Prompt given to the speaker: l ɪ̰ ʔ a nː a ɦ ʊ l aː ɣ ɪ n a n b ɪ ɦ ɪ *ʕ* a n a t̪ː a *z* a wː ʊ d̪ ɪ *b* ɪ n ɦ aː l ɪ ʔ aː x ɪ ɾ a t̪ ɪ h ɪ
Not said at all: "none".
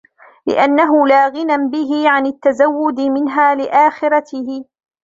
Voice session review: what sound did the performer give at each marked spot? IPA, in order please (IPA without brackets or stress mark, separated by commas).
ʕ, z, m